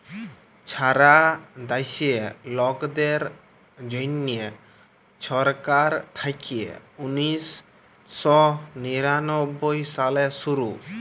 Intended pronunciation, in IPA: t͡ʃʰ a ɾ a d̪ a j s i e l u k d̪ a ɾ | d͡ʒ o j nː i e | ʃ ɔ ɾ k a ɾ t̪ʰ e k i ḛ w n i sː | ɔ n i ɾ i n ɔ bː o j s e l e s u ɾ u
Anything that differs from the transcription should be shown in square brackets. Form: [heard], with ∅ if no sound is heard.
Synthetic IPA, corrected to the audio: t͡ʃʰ a ɾ a d̪ a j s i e l [ɔ] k d̪ [e] ɾ | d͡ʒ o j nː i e | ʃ ɔ ɾ k a ɾ t̪ʰ [a] k i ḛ [u] n i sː | ɔ n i ɾ [a] n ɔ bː o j s [a] l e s u ɾ u